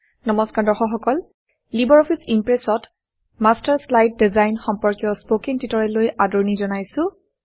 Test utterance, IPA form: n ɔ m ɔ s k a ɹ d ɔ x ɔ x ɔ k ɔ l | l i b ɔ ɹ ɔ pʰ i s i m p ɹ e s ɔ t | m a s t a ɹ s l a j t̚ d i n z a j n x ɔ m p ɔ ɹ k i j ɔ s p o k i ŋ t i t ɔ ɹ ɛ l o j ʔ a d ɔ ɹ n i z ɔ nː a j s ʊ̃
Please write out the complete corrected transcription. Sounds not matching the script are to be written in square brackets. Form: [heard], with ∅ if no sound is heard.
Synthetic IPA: n ɔ m ɔ s k a ɹ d ɔ x ɔ x ɔ k ɔ l | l i b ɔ ɹ ɔ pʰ i s i m p ɹ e s ɔ t | m a s t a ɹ s l a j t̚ d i [∅] z a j n x ɔ m p ɔ ɹ k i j ɔ s p o k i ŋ t i t ɔ ɹ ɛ l o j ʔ a d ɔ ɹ n i z ɔ [n] a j s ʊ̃